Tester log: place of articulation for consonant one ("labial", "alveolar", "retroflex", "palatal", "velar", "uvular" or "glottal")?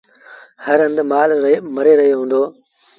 glottal